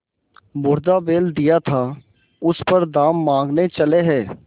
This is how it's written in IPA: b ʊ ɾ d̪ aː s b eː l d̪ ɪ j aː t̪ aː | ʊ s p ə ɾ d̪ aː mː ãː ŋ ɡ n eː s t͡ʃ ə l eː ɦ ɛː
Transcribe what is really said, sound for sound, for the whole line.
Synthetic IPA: b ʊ ɾ d̪ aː b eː l d̪ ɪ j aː t̪ʰ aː | ʊ s p ə ɾ d̪ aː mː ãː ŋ ɡ n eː t͡ʃ ə l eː ɦ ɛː